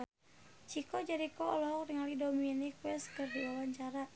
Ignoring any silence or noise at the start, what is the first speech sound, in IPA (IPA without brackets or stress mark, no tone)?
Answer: t͡ʃ